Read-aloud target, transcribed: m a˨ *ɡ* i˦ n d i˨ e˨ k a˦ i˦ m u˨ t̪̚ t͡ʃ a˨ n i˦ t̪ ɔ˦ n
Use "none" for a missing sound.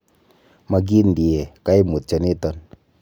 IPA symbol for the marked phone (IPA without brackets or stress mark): ɡ